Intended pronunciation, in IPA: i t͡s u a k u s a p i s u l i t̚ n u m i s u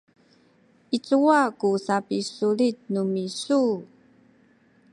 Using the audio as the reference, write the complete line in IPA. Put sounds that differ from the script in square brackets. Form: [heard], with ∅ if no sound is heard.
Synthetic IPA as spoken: i t͡s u a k u s a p i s u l i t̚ n u m i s u

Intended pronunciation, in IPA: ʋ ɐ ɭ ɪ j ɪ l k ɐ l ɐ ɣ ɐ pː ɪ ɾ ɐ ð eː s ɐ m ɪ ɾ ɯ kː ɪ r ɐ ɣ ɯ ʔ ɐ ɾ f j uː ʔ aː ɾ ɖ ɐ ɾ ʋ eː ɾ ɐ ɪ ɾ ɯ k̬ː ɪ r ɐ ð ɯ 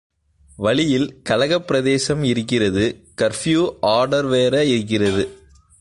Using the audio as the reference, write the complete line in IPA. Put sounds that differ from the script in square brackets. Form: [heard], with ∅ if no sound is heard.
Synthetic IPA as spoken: ʋ ɐ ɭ ɪ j ɪ l k ɐ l ɐ ɣ ɐ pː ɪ ɾ ɐ ð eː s ɐ m ɪ ɾ ɯ kː ɪ r ɐ [ð] ɯ [k] ɐ ɾ f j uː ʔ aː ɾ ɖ ɐ ɾ ʋ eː ɾ ɐ ɪ ɾ ɯ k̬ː ɪ r ɐ ð ɯ

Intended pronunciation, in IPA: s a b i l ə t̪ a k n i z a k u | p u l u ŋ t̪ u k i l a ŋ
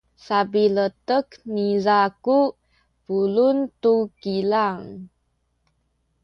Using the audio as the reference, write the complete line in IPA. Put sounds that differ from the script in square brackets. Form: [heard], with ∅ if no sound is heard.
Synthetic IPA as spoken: s a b i l ə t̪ [ə] k n i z a k u | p u l u [n] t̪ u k i l a ŋ

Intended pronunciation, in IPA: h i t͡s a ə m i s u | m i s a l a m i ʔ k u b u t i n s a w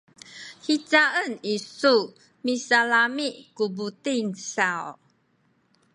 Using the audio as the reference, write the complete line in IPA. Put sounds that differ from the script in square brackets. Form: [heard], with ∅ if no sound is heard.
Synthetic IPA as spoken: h i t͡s a ə [n] i s u | m i s a l a m i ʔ k u b u t i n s a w

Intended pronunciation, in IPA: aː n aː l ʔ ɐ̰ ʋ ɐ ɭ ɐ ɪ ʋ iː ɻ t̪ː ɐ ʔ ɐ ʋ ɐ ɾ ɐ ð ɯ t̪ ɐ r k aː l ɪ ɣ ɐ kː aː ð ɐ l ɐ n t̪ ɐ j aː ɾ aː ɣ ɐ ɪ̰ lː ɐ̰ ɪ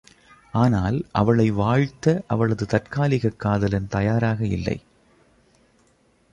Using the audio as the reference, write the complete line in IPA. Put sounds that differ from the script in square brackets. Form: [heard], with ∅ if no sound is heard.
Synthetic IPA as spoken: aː n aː l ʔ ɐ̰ ʋ ɐ ɭ ɐ ɪ ʋ [aː] ɻ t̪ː ɐ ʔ ɐ ʋ ɐ [ɭ] ɐ ð ɯ t̪ ɐ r k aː l ɪ ɣ ɐ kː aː ð ɐ l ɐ n t̪ ɐ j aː ɾ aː ɣ ɐ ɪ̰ lː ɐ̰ ɪ

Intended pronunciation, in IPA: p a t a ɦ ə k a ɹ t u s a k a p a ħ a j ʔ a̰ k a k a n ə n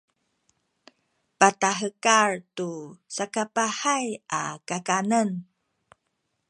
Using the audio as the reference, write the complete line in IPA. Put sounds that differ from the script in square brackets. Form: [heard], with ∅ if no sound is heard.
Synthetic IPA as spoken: p a t a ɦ ə k a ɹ t u s a k a p a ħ a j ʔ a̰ k a k a n ə n

